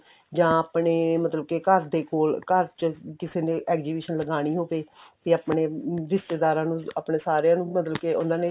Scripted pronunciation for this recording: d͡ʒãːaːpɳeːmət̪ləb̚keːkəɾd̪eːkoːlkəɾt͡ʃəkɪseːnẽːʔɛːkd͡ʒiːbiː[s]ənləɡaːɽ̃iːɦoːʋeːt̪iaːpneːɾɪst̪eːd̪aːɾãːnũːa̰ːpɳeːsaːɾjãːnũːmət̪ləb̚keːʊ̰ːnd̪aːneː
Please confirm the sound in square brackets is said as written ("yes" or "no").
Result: no